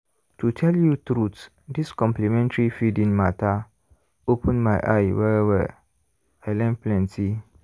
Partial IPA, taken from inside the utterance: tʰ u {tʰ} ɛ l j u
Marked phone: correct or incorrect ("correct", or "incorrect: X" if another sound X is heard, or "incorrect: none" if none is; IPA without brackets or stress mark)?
correct